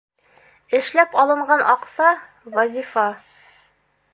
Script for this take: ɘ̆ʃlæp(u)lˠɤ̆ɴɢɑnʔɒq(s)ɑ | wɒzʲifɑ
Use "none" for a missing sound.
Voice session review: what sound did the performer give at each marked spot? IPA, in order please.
ɒ, s

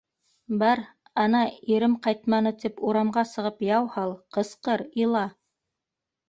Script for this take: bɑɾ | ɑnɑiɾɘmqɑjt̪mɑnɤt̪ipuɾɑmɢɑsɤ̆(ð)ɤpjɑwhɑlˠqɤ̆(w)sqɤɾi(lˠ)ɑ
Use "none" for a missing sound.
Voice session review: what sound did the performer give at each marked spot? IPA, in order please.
ʁ, none, lˠ

